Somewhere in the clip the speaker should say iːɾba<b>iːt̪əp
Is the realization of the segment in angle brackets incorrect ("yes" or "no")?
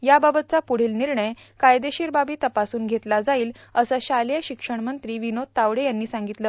no